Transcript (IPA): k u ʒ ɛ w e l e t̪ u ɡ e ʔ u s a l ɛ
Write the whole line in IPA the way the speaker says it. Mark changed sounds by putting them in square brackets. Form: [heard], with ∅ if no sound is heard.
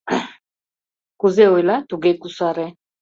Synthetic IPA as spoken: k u [z] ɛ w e l [a] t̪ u ɡ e [k] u s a [ɾ] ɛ